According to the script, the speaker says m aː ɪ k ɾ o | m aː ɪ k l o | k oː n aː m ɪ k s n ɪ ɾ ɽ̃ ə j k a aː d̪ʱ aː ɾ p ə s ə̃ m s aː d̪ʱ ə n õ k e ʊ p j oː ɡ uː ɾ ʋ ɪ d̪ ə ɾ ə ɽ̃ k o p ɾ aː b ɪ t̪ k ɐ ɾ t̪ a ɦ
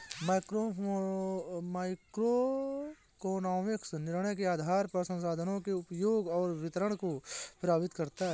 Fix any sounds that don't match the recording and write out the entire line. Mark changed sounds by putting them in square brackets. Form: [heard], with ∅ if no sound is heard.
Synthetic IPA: m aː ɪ k ɾ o | m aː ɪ k [ɾ] o | k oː n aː m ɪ k s n ɪ ɾ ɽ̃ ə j k [e] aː d̪ʱ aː ɾ p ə s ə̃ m s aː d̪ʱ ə n õ k e ʊ p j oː ɡ [ɔː] ɾ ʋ ɪ [t̪] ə ɾ ə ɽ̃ k o p ɾ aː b ɪ t̪ k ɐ ɾ t̪ a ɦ